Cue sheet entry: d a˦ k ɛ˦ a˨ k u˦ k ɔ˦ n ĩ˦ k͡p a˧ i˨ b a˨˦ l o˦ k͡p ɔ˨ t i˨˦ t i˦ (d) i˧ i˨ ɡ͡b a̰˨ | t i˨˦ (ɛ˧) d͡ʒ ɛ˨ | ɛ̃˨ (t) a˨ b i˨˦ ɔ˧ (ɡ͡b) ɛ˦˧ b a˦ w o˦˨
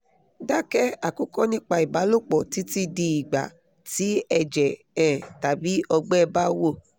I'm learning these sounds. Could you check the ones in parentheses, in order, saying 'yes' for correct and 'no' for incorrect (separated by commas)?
yes, yes, yes, yes